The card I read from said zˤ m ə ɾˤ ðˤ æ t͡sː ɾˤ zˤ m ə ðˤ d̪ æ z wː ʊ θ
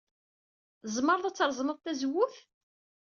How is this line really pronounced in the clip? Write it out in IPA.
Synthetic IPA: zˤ m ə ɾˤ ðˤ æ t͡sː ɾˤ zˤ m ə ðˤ t̪ æ z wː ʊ θ